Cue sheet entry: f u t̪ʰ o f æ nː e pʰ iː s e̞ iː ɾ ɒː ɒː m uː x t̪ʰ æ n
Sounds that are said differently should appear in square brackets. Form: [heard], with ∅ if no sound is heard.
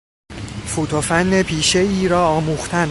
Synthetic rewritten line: f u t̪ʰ o f æ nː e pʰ iː [ʃ] e̞ iː ɾ ɒː ɒː m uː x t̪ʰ æ n

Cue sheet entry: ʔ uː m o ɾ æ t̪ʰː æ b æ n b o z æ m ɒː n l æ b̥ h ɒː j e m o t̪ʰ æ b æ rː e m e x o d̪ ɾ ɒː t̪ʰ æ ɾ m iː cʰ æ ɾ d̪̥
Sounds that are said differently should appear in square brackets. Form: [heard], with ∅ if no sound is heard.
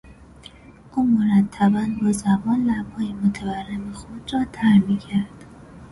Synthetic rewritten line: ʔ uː m o ɾ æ t̪ʰː æ b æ n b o z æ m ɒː n l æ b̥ h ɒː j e m o t̪ʰ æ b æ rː e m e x o d̪ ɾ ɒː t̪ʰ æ ɾ m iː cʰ æ ɾ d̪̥

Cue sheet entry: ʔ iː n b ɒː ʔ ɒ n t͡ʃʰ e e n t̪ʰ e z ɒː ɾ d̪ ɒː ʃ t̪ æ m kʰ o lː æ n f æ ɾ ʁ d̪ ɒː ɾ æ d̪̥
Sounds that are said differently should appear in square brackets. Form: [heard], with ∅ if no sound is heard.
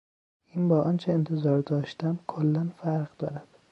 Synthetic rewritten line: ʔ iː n b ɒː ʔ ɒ n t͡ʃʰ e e n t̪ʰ e z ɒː ɾ d̪ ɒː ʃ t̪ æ m kʰ o lː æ n f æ ɾ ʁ d̪ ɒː ɾ æ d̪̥

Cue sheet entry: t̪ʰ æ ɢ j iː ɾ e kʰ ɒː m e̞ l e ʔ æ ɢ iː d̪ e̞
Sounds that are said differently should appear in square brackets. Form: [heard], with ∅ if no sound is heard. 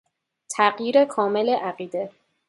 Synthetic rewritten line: t̪ʰ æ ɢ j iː ɾ e kʰ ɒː m e̞ l e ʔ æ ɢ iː d̪ e̞

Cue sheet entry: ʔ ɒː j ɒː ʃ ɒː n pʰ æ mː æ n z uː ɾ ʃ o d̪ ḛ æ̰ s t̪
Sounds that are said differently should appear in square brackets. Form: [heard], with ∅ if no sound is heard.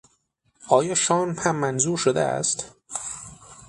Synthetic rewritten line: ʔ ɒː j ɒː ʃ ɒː n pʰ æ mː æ n z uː ɾ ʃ o d̪ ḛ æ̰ s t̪

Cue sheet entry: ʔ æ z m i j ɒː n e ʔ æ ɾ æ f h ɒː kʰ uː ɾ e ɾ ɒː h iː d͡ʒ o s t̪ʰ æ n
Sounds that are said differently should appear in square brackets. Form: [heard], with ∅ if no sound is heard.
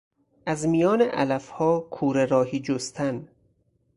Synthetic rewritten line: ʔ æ z m i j ɒː n e ʔ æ [l] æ f h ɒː kʰ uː ɾ e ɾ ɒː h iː d͡ʒ o s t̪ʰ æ n

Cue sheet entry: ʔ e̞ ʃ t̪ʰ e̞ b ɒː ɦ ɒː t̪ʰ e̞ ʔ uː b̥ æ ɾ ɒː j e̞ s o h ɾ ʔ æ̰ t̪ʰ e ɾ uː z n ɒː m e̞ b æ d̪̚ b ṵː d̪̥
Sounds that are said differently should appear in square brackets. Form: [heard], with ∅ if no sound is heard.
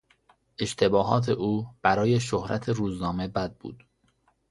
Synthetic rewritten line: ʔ e̞ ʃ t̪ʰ e̞ b ɒː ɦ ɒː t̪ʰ e̞ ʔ uː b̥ æ ɾ ɒː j e̞ [ʃ] o h ɾ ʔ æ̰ t̪ʰ e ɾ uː z n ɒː m e̞ b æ d̪̚ b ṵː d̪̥

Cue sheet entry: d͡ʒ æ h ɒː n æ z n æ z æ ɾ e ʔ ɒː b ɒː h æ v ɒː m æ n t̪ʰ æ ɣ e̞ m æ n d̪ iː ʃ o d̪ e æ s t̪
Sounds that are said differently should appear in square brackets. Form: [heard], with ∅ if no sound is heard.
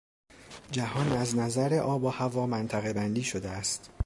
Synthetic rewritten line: d͡ʒ æ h ɒː n æ z n æ z æ ɾ e ʔ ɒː b ɒː h æ v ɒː m æ n t̪ʰ æ ɣ e̞ [b] æ n d̪ iː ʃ o d̪ e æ s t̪

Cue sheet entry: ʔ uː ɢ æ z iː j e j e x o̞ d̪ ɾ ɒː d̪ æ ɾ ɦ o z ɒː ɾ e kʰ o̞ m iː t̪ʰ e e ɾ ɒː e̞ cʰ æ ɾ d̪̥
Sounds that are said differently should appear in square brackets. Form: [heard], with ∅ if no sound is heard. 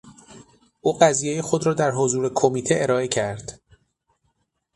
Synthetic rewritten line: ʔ uː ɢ æ z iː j e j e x o̞ d̪ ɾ ɒː d̪ æ ɾ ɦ o z [uː] ɾ e kʰ o̞ m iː t̪ʰ e e ɾ ɒː e̞ cʰ æ ɾ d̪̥

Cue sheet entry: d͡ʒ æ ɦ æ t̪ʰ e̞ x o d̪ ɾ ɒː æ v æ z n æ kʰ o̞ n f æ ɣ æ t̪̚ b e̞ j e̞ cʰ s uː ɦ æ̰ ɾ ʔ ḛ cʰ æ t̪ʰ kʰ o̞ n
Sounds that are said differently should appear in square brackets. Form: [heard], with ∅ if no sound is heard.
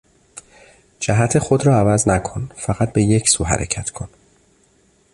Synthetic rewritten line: d͡ʒ æ ɦ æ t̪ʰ e̞ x o d̪ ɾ ɒː æ v æ z n æ kʰ o̞ n f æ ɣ æ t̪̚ b e̞ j e̞ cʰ s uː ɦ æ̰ ɾ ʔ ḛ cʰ æ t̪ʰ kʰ o̞ n

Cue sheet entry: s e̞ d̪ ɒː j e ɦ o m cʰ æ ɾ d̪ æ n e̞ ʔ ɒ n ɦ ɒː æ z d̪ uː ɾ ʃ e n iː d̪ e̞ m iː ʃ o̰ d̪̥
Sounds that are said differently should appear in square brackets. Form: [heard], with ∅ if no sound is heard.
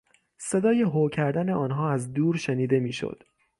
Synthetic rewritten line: s e̞ d̪ ɒː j e ɦ o [∅] cʰ æ ɾ d̪ æ n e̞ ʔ [ɒː] n ɦ ɒː æ z d̪ uː ɾ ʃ e n iː d̪ e̞ m iː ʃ o̰ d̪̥

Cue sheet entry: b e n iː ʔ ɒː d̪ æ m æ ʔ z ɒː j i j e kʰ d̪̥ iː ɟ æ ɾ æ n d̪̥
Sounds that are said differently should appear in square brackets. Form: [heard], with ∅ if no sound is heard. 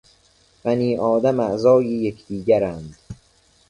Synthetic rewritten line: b [æ] n iː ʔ ɒː d̪ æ m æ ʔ z ɒː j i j e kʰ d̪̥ iː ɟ æ ɾ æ n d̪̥

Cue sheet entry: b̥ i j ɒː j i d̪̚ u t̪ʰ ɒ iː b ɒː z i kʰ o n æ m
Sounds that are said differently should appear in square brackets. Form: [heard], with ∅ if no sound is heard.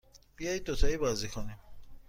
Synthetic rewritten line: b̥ i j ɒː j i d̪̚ [o] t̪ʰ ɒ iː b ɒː z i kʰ o n [i] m

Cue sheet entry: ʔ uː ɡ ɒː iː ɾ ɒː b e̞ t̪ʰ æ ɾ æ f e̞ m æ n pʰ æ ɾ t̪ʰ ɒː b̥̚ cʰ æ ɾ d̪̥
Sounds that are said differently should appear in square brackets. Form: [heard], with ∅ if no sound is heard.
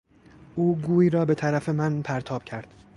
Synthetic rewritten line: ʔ uː ɡ [uː] iː ɾ ɒː b e̞ t̪ʰ æ ɾ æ f e̞ m æ n pʰ æ ɾ t̪ʰ ɒː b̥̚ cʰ æ ɾ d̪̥

